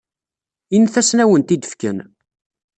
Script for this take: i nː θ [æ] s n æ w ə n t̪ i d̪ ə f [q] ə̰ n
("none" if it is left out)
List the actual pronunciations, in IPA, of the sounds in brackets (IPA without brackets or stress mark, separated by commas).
æ, k